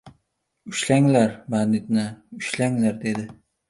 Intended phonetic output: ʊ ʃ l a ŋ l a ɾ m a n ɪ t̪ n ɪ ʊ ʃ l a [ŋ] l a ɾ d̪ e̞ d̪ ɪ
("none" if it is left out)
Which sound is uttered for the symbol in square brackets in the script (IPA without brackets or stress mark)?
ŋ